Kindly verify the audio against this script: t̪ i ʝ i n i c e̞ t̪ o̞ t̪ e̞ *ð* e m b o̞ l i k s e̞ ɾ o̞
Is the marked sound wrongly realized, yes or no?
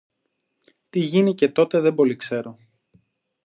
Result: no